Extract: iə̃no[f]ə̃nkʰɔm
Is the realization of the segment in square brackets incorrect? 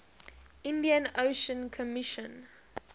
yes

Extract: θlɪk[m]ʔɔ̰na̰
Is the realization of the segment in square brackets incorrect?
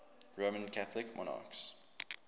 no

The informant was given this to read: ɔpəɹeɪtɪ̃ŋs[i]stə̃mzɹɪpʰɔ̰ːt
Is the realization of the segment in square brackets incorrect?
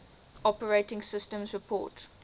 yes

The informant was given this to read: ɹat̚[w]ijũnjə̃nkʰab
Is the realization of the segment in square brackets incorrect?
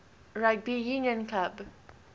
yes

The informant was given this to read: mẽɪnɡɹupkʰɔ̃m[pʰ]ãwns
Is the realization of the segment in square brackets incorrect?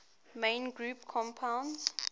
no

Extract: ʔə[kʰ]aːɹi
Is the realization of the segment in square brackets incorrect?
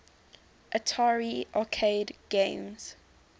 yes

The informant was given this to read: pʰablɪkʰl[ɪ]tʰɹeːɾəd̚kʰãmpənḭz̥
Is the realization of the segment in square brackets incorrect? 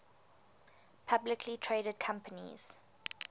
yes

